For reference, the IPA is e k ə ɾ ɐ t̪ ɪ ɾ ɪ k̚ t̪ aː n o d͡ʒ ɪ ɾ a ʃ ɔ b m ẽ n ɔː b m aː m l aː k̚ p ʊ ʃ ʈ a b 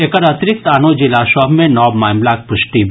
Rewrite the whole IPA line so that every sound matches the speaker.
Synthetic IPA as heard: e k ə ɾ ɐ t̪ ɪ ɾ ɪ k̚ t̪ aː n o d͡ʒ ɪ l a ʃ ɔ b m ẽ n ɔː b m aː m l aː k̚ p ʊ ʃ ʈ i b